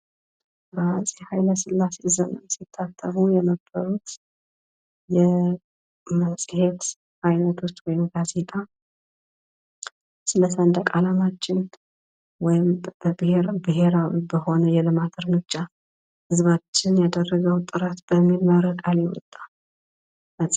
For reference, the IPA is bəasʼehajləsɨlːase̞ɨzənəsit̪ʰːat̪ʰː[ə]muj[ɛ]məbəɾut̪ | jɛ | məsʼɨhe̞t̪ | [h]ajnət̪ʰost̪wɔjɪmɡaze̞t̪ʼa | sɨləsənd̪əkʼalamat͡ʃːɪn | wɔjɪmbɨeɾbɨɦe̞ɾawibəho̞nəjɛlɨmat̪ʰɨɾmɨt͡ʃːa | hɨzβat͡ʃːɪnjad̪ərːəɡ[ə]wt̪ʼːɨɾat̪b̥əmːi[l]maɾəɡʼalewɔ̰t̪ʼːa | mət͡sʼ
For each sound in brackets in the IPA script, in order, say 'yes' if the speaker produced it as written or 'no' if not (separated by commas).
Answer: yes, yes, yes, yes, yes